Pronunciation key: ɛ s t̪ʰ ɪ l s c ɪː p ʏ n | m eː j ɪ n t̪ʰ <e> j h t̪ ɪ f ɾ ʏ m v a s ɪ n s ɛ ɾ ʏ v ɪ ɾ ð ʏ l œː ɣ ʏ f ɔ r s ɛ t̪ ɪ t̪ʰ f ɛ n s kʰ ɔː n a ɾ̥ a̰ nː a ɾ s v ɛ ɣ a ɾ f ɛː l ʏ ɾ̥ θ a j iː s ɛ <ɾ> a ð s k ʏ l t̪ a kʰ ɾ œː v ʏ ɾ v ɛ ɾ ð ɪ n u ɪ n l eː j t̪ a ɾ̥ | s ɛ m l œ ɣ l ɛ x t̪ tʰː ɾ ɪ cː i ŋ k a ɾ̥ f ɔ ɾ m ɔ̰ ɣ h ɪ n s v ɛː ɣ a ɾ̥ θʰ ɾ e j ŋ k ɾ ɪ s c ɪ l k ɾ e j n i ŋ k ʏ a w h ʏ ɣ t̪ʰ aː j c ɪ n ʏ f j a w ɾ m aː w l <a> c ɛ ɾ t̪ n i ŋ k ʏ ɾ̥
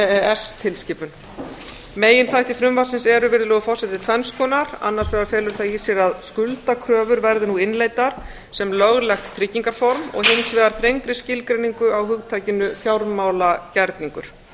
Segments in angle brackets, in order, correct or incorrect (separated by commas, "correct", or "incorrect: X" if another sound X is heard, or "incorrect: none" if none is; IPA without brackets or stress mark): incorrect: a, correct, correct